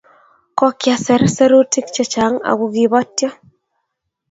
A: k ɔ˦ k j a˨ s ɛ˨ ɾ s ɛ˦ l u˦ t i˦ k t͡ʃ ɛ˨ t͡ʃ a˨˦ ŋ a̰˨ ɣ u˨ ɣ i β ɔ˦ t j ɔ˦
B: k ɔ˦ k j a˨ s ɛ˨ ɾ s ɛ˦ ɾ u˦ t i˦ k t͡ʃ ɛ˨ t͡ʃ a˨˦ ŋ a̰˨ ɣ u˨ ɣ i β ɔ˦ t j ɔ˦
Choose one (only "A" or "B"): B